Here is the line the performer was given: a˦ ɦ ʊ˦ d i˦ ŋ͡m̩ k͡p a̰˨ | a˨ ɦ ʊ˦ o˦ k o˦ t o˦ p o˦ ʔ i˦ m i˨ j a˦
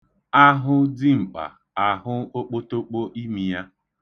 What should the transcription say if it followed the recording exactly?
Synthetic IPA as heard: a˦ ɦ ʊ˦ d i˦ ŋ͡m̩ k͡p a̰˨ | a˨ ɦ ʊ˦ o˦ k͡p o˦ t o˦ k͡p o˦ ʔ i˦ m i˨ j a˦